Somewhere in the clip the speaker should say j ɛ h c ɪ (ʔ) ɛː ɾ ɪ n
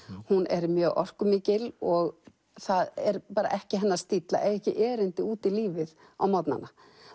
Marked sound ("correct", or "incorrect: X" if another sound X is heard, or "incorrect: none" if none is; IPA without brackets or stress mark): correct